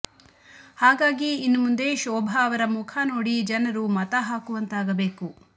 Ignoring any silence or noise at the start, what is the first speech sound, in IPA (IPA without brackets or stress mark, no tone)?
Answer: h